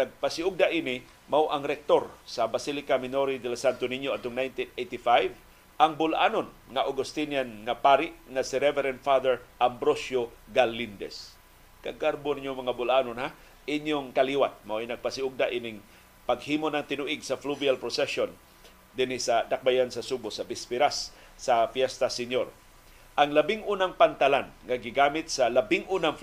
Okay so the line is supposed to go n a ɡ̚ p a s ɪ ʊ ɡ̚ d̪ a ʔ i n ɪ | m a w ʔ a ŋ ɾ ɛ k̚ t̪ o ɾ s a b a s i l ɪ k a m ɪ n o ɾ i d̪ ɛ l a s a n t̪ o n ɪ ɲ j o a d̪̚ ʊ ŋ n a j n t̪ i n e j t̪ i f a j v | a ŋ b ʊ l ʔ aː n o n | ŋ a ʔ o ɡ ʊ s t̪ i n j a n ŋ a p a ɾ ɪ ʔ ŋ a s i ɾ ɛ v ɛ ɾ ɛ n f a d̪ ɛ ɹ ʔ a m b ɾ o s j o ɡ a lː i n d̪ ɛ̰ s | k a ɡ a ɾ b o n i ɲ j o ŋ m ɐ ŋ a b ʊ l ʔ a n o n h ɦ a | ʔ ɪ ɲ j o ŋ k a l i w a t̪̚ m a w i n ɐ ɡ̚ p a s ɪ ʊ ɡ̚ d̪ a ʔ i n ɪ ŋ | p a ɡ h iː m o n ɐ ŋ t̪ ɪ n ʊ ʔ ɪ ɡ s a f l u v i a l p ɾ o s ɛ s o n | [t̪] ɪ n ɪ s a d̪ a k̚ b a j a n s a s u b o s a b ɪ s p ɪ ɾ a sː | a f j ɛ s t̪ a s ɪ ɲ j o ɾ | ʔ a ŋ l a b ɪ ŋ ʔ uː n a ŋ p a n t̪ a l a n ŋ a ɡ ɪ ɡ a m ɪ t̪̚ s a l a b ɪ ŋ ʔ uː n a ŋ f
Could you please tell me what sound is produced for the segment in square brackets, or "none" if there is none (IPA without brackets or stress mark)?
d̪